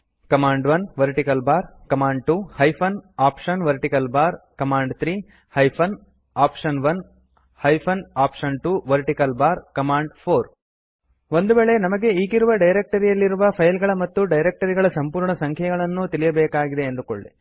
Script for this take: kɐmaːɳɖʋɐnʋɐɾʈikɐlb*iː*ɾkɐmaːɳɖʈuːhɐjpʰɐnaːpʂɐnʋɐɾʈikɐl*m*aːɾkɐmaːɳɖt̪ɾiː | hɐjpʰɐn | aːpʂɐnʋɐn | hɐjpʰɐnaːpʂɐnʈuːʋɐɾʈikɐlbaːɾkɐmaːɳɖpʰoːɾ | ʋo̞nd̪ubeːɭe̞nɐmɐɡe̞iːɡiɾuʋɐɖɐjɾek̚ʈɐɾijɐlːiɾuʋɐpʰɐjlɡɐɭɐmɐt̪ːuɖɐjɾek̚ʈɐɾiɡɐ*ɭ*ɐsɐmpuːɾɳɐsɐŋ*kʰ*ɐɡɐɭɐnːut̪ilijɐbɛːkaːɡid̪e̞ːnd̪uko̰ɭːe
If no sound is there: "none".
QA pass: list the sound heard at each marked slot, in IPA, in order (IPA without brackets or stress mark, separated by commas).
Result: aː, b, ɭ, kʰ